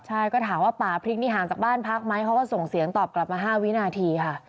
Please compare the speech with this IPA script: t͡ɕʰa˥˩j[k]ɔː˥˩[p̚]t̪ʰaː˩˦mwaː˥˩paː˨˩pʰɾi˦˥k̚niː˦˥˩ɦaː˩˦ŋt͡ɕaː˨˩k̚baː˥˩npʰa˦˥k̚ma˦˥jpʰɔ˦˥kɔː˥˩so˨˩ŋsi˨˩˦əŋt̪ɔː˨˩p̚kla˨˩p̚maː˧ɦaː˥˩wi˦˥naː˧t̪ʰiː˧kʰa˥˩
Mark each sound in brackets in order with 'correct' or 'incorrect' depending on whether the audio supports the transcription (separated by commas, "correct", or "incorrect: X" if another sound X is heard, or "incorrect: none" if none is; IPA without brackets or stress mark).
correct, incorrect: none